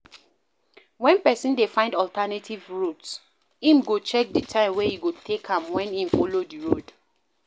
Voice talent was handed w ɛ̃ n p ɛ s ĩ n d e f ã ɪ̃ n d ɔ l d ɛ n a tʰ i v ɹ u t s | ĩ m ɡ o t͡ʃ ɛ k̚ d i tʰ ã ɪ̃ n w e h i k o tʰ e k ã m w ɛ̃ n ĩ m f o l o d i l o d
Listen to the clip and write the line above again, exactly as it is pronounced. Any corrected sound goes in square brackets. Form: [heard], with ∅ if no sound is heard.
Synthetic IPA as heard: w ɛ̃ n p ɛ s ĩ n d e f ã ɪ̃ n d ɔ l [t] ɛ n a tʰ i v ɹ u t s | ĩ m ɡ o t͡ʃ ɛ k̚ d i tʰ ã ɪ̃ [m] w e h i [ɡ] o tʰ e k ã m w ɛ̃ n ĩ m f o l o d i [ɹ] o d

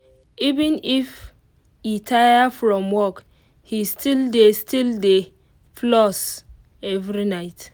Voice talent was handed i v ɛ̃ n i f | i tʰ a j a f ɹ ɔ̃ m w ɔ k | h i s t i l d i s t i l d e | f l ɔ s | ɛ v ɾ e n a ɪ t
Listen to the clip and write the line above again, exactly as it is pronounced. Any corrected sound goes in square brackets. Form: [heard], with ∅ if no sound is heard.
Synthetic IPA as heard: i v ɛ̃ n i f | i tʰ a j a f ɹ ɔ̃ m w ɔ k | h i s t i l d [e] s t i l d e | f l ɔ s | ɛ v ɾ [i] n a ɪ t

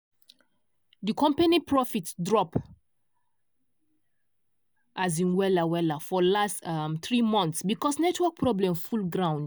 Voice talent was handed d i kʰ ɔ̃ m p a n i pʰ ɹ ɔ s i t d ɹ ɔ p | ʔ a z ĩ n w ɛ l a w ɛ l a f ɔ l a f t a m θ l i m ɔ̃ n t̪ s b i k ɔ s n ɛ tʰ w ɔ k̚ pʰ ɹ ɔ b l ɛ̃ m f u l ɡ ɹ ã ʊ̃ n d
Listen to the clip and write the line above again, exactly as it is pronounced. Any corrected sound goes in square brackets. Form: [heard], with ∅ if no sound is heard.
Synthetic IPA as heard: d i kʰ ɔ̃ m p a n i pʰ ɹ ɔ [f] i t d ɹ ɔ p | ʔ a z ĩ n w ɛ l a w ɛ l a f ɔ l a [s] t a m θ [ɹ] i m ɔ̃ n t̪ s b i k ɔ s n ɛ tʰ w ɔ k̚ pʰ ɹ ɔ b l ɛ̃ m f u l ɡ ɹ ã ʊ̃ n d

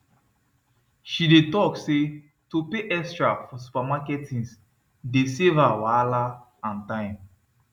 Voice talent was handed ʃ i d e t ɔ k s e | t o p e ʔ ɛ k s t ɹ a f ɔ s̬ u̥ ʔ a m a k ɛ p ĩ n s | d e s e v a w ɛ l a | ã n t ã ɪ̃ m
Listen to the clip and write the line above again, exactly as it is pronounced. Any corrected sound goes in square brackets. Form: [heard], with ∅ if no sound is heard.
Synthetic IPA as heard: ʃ i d e t ɔ k s e | t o p e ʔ ɛ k s t ɹ a f ɔ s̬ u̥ [p] a m a k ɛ [t] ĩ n s | d e s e v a w [a] l a | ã n t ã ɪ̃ m

